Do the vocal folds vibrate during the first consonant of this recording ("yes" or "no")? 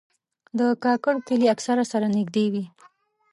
yes